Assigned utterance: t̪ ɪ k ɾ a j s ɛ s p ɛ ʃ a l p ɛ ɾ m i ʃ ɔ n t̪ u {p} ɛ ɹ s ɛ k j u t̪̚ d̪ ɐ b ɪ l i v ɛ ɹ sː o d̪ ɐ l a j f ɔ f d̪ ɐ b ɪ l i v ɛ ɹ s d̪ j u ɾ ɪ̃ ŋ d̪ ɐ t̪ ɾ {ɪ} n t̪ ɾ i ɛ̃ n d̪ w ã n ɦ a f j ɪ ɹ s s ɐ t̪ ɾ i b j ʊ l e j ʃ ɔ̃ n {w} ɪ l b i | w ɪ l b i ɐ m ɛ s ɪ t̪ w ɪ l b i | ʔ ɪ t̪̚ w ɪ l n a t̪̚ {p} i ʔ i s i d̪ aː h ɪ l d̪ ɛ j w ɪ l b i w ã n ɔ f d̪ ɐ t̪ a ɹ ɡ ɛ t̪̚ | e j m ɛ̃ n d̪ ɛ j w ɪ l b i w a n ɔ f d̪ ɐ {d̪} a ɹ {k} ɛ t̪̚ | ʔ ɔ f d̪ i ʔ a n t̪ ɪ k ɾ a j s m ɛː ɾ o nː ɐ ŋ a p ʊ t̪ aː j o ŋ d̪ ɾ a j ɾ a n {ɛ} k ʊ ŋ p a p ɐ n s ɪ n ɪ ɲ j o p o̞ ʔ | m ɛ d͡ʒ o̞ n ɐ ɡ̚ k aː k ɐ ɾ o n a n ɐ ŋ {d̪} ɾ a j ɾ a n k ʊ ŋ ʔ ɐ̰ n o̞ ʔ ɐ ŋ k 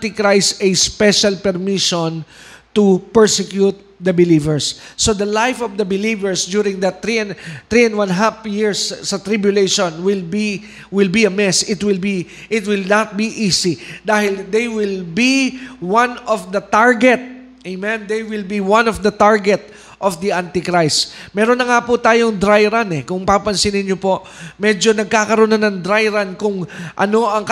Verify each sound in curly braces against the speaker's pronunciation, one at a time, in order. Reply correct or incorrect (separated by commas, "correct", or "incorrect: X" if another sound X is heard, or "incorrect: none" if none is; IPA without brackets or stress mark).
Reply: correct, incorrect: i, correct, incorrect: b, incorrect: t̪, incorrect: ɡ, correct, correct